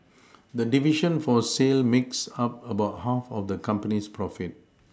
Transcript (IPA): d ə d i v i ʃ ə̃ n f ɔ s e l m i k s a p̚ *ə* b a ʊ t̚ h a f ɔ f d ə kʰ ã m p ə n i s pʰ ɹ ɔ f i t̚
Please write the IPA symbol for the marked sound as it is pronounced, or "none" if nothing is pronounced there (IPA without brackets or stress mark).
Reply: ə